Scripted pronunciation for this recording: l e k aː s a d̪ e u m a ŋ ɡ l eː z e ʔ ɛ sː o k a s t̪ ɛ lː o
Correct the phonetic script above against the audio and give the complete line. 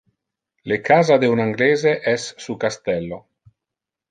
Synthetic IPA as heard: l e k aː z a d̪ e u n a ŋ ɡ l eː z e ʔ ɛ sː u k a s t̪ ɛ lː o